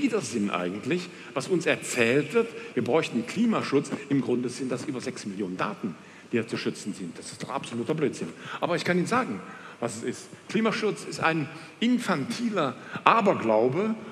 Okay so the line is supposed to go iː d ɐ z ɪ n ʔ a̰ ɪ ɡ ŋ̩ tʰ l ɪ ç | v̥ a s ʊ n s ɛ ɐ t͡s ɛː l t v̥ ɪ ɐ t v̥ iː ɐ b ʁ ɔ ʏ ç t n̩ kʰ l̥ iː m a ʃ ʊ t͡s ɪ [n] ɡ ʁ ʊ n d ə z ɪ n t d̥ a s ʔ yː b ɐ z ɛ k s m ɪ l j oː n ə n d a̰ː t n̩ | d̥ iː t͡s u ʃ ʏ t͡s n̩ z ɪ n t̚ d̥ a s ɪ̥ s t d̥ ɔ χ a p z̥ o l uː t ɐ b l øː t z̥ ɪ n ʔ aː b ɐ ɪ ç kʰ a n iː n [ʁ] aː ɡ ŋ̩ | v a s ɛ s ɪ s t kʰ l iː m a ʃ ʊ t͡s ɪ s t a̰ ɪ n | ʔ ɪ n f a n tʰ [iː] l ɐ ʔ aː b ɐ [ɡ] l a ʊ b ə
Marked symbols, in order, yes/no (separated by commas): no, no, yes, yes